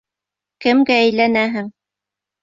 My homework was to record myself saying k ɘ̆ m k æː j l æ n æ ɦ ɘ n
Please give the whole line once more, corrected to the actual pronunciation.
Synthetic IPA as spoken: k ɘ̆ m ɡ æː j l æ n æ ɦ ɘ ŋ